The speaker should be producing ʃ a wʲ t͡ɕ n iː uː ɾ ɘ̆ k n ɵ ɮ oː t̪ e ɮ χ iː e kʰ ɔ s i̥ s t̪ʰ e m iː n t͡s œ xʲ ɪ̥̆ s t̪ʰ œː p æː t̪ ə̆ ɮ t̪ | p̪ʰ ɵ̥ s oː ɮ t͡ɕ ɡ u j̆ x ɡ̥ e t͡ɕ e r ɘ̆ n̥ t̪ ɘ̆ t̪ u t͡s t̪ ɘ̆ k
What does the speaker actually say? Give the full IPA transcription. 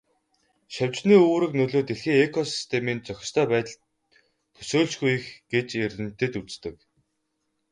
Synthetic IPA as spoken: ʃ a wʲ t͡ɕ n iː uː ɾ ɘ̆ k n ɵ ɮ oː t̪ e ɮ x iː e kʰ ɔ s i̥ s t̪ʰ e m iː n t͡s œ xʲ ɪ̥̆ s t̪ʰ œː p æː t̪ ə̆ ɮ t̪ | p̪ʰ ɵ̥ s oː ɮ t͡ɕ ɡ u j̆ x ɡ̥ e t͡ɕ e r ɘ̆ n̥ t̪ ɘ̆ t̪ u t͡s t̪ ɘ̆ k